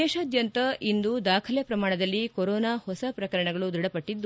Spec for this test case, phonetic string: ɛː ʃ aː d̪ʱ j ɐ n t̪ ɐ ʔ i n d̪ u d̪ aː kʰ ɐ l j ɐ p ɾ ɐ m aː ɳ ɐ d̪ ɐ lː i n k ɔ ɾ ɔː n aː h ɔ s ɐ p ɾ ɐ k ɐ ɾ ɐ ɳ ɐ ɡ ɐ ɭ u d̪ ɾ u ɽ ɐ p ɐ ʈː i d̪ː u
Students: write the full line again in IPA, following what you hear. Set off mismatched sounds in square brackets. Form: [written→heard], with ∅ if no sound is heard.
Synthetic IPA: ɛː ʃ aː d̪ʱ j ɐ n t̪ ɐ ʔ i n d̪ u d̪ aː kʰ ɐ l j ɐ p ɾ ɐ m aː ɳ ɐ d̪ ɐ lː i [n→∅] k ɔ ɾ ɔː n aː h ɔ s ɐ p ɾ ɐ k ɐ ɾ ɐ ɳ ɐ ɡ ɐ ɭ u d̪ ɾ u ɽ ɐ p ɐ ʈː i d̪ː u